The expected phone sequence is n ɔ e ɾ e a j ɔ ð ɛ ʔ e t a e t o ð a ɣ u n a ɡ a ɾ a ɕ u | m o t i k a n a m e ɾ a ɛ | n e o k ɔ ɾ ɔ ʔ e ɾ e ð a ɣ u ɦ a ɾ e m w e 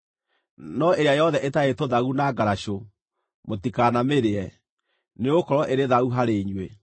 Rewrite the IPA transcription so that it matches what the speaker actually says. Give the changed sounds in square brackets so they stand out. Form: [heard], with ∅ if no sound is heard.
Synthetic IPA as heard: n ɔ e ɾ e a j ɔ ð ɛ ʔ e t a e t o ð a ɣ u n a ɡ a ɾ a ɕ [o] | m o t i k a n a m e ɾ [e] ɛ | n e o k ɔ ɾ ɔ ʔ e ɾ e ð a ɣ u ɦ a ɾ e [ɲ] w e